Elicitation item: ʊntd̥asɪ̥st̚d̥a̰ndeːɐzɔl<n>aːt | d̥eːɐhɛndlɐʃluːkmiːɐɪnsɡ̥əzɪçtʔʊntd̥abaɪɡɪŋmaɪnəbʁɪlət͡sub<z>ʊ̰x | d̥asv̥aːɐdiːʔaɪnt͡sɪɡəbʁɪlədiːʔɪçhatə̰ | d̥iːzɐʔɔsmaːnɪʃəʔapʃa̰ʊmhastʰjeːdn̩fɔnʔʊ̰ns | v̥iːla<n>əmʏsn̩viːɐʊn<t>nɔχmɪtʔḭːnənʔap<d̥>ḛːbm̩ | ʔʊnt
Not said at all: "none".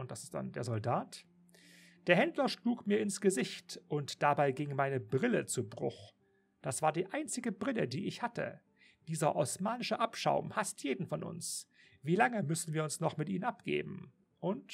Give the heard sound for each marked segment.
d, ʁ, ŋ, s, ɡ̥

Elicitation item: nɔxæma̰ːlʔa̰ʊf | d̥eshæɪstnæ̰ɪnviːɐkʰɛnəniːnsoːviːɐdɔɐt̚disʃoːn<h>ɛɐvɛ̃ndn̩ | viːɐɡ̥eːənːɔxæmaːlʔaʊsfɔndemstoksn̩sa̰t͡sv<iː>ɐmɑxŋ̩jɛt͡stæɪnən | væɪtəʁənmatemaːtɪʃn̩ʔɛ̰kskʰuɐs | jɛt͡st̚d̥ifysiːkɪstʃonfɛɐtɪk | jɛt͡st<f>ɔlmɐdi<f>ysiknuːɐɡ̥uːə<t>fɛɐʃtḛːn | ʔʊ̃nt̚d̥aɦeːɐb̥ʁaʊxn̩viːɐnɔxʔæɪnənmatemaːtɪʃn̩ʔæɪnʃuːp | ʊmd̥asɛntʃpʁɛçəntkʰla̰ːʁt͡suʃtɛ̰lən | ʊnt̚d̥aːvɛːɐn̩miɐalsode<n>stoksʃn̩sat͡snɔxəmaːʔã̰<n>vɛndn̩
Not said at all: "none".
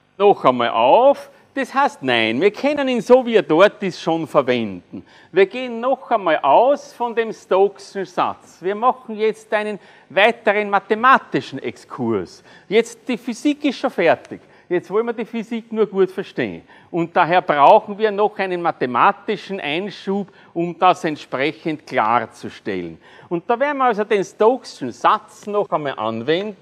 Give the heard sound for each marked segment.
f, iː, v, f, t, n, n

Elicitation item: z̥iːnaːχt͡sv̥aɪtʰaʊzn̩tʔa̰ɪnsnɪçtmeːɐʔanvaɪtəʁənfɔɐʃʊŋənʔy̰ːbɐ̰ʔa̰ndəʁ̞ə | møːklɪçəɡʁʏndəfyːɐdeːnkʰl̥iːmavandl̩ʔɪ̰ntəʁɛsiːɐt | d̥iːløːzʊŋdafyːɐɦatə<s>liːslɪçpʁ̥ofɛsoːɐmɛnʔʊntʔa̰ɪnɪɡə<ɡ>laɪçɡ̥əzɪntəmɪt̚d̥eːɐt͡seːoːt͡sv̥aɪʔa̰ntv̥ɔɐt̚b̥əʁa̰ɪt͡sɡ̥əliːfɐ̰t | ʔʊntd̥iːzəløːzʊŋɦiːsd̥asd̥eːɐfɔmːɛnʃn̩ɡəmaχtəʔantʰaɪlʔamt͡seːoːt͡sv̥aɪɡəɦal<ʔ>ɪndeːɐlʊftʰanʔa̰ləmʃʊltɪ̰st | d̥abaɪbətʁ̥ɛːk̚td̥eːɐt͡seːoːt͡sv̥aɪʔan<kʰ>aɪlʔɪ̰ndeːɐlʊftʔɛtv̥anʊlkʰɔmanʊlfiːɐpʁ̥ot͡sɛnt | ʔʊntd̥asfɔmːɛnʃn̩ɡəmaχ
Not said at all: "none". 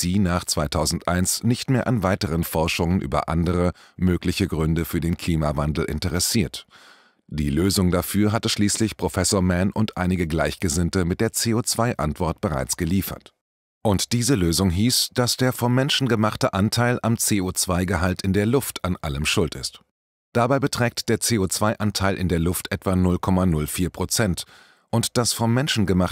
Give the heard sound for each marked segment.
ʃ, ɡ, t, tʰ

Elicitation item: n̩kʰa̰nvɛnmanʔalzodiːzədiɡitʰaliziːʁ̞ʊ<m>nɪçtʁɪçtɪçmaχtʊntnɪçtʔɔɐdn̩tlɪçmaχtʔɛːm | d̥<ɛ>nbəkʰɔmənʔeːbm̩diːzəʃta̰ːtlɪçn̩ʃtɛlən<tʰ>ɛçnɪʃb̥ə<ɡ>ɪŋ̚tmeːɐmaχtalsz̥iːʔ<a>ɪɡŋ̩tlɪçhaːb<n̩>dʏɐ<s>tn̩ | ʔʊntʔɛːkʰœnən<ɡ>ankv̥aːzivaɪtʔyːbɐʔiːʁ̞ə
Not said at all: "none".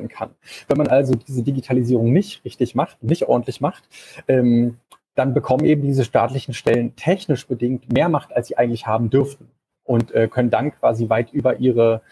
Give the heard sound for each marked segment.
ŋ, a, tʰ, d, a, m̩, f, d

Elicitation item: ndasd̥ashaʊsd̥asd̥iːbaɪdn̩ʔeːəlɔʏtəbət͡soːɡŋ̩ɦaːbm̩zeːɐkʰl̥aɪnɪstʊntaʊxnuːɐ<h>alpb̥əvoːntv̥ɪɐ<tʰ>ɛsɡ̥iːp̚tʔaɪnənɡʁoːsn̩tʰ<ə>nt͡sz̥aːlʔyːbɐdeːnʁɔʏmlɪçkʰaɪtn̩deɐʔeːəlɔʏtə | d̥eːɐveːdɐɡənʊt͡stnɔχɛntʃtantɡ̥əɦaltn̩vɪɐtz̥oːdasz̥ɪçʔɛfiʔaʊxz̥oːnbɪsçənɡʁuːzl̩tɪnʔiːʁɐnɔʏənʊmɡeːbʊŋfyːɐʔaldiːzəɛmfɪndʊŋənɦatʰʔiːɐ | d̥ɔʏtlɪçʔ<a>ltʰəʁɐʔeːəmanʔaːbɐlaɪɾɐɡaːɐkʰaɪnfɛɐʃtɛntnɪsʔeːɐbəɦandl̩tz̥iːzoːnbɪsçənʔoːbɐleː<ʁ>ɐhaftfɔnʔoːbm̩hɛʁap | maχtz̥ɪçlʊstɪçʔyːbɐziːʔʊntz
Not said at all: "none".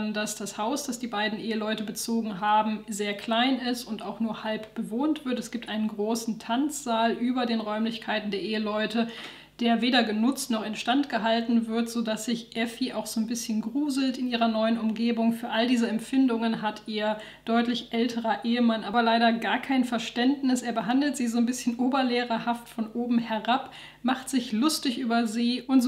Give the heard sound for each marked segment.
h, t, a, ɛ, ʁ

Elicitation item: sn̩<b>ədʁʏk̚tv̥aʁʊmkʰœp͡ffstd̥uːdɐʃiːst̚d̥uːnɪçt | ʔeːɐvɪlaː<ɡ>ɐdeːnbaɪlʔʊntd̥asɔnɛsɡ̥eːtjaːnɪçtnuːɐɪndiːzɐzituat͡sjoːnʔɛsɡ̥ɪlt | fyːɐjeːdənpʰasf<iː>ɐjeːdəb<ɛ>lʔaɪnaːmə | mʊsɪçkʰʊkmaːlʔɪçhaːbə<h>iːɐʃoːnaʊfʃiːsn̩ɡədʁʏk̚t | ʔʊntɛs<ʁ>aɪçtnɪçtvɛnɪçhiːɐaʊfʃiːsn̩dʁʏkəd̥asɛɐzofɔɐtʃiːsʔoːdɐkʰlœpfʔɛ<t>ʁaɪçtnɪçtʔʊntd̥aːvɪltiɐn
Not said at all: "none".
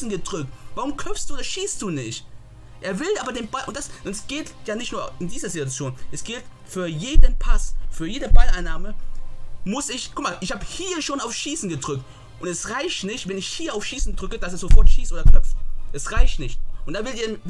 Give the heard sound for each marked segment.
ɡ, b, yː, a, h, ʁ, s

